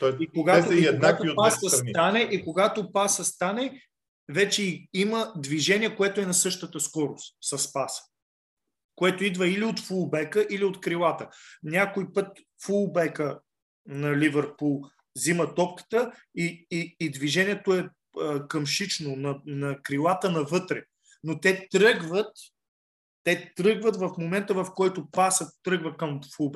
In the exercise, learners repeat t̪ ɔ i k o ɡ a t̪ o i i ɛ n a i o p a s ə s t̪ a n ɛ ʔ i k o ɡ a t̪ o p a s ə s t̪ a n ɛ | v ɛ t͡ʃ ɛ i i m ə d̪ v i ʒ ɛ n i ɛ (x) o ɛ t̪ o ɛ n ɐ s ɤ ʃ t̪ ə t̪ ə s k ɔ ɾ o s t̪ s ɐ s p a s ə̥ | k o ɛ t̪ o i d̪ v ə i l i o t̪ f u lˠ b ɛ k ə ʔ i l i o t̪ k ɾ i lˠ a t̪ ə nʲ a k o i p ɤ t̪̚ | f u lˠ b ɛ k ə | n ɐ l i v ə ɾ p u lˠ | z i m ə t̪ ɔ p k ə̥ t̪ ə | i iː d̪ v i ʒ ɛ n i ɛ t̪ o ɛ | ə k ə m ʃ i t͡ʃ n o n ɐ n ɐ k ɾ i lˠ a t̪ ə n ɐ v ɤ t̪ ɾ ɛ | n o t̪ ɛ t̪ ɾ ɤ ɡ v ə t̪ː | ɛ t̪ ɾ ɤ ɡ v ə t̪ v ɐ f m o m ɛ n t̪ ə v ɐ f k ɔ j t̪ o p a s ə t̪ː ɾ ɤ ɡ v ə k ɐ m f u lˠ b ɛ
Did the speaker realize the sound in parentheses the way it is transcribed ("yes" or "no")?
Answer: no